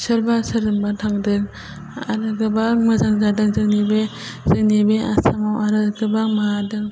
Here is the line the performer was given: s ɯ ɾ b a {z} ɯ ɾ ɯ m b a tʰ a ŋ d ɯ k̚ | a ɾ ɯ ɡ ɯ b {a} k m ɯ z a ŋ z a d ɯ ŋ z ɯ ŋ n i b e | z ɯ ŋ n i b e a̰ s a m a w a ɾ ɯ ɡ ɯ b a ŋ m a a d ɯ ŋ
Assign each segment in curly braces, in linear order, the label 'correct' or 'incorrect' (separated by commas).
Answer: incorrect, correct